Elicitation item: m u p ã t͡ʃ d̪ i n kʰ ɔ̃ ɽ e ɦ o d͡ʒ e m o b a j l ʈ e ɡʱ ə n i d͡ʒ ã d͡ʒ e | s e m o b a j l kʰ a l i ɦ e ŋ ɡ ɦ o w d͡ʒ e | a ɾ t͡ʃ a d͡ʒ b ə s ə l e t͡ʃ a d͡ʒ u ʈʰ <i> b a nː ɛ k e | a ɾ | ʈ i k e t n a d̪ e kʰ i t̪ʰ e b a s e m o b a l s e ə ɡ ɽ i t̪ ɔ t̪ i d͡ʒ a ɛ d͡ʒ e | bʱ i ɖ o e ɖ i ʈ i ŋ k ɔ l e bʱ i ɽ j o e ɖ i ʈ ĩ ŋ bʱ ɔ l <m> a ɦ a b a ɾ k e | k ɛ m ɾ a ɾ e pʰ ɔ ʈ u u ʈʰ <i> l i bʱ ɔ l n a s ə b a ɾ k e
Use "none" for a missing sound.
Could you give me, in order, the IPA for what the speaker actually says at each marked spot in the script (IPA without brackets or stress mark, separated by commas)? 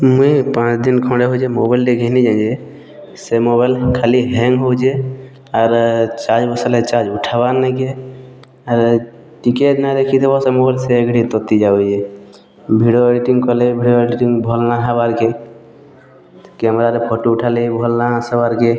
a, n, a